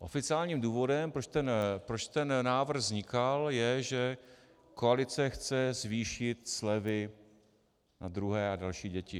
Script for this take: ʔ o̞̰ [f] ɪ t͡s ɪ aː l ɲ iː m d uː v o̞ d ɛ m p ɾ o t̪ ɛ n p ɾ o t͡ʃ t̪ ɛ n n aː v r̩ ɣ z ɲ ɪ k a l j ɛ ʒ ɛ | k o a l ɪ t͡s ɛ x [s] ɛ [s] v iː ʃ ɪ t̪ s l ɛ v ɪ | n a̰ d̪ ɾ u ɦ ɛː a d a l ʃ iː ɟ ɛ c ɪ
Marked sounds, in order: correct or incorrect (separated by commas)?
correct, incorrect, incorrect